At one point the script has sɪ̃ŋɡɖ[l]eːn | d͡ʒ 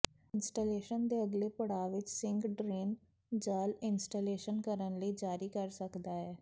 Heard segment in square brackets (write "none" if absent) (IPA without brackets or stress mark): ɾ